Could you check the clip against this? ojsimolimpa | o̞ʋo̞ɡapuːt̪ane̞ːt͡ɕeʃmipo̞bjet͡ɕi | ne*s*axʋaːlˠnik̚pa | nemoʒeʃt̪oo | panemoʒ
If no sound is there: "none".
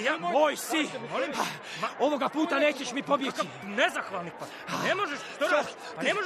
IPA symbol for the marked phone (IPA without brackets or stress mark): z